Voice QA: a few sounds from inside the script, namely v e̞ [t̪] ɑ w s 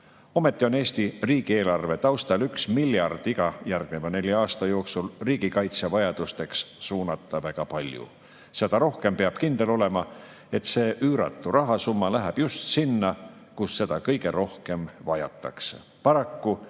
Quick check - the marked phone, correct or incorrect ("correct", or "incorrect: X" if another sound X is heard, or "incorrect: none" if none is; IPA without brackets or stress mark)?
correct